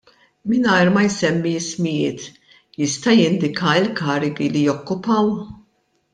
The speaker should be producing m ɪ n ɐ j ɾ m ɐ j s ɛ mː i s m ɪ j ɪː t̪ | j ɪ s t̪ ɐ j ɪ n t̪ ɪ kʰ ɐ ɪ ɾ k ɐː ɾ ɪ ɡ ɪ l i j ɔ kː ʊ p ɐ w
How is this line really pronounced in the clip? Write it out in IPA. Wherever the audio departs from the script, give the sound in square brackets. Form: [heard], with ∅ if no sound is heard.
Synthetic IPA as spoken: m ɪ n ɐ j ɾ m ɐ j s ɛ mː i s m ɪ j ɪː t̪ | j ɪ s t̪ ɐ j ɪ n [d̪] ɪ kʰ ɐ ɪ [l] k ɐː ɾ ɪ ɡ [i] l i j ɔ kː ʊ p ɐ w